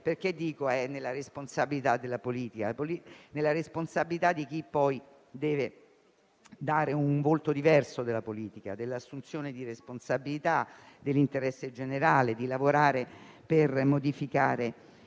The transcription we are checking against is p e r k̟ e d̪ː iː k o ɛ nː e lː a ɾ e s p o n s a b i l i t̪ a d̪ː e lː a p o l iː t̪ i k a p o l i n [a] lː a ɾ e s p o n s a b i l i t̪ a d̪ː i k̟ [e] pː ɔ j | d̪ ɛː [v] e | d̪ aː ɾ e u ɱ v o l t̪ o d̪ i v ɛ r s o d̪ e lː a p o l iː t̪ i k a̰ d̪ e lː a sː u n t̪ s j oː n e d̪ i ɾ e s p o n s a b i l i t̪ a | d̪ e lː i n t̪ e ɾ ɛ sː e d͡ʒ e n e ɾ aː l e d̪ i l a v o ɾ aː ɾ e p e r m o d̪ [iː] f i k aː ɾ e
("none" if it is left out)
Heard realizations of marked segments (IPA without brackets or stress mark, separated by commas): e, i, v, i